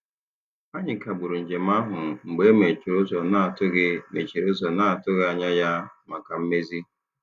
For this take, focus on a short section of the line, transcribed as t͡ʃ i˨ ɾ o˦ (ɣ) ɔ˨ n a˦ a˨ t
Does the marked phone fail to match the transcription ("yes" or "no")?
yes